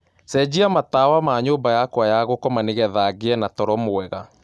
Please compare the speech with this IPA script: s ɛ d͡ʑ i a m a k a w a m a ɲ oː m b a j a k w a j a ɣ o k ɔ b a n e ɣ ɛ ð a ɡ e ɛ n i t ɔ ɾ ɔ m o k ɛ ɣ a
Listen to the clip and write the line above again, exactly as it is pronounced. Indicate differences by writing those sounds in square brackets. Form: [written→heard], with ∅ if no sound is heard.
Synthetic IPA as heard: s ɛ d͡ʑ i a m a [k→t] a w a m a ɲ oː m b a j a k w a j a ɣ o k ɔ [b→m] a n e ɣ ɛ ð a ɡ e ɛ n [i→a] t ɔ ɾ ɔ m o [k→∅] ɛ ɣ a